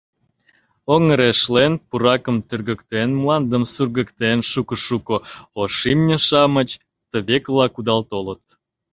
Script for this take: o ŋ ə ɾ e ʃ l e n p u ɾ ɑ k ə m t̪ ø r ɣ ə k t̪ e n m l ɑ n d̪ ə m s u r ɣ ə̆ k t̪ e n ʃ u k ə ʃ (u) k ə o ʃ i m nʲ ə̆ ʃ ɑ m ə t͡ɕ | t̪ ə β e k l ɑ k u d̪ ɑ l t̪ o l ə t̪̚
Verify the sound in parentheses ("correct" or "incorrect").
correct